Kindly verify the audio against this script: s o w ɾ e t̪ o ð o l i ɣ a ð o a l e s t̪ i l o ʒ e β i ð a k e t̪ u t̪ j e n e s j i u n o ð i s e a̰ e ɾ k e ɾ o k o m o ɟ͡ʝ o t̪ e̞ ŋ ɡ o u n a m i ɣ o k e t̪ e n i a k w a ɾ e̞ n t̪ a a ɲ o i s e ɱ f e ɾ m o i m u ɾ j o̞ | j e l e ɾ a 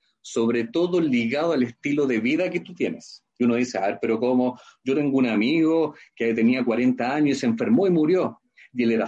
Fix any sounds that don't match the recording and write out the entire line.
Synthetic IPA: s o β ɾ e t̪ o ð o l i ɣ a ð o a l e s t̪ i l o ð e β i ð a k e t̪ u t̪ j e n e s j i u n o ð i s e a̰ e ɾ p e ɾ o k o m o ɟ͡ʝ o t̪ e̞ ŋ ɡ o u n a m i ɣ o k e t̪ e n i a k w a ɾ e̞ n t̪ a a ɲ o i s e ɱ f e ɾ m o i m u ɾ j o̞ | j e l e ɾ a